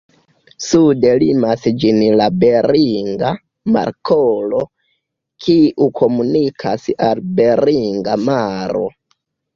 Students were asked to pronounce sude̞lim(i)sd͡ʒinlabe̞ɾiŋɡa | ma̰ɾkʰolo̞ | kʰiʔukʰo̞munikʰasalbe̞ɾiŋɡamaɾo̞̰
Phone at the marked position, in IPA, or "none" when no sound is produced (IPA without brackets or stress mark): a